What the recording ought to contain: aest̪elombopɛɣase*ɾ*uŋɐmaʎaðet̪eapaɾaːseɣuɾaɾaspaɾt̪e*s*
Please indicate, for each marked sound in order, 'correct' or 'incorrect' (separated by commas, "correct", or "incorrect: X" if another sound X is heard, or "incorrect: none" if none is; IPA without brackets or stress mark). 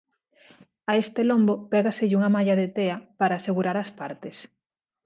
incorrect: ʎ, correct